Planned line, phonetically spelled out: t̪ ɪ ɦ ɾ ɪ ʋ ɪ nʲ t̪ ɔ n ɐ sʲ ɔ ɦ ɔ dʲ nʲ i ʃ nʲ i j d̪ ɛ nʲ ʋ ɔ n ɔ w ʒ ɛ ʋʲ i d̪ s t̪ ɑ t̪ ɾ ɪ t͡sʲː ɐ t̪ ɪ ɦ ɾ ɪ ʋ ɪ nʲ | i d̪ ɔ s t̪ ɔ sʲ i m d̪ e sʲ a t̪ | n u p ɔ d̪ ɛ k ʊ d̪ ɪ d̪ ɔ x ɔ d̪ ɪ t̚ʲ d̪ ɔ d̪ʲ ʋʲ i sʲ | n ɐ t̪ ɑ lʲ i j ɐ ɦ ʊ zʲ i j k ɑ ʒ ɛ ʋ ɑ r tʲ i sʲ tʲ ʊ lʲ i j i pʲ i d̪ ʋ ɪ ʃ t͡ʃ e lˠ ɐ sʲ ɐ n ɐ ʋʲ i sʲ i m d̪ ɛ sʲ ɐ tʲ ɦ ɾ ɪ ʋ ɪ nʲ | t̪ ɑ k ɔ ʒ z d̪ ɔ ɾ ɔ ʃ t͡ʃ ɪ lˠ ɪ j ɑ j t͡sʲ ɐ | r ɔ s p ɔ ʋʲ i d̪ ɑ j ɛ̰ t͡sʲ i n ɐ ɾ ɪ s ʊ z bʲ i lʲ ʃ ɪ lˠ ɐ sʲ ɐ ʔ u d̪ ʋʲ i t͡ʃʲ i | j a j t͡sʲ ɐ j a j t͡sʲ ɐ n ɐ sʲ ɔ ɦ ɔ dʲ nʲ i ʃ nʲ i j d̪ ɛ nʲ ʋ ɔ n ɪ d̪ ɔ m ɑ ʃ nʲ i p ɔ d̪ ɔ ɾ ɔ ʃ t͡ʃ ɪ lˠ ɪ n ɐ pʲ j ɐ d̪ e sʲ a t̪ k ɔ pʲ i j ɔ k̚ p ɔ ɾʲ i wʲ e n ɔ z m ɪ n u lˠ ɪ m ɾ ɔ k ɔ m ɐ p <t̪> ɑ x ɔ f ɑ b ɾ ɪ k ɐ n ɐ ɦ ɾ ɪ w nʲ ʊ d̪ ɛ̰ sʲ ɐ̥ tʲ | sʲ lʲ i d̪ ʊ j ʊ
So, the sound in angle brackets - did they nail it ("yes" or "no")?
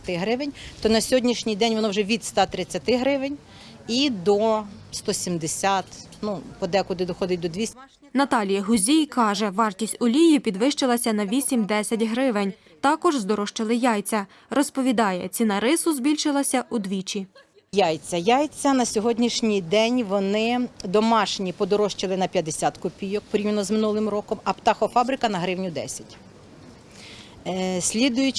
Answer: yes